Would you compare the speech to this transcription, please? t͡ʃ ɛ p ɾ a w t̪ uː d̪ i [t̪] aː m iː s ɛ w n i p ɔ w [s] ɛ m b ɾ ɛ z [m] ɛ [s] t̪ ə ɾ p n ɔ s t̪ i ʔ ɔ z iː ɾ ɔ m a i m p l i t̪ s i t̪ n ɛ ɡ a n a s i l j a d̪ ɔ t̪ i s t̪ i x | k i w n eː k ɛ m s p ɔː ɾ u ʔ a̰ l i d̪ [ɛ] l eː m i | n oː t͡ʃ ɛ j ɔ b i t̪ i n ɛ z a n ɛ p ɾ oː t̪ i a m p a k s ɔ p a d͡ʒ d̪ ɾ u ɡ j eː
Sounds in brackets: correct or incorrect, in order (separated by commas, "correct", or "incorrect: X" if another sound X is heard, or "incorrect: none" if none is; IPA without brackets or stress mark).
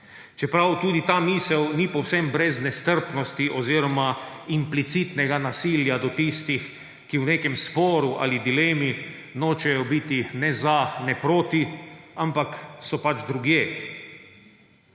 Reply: correct, correct, incorrect: n, correct, incorrect: i